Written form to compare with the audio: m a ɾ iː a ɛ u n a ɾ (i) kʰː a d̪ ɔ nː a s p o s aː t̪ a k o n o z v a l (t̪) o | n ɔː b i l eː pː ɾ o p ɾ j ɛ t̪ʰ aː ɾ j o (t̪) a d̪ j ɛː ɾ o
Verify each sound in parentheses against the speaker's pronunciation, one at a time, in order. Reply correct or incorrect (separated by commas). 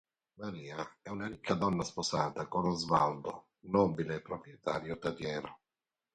correct, incorrect, correct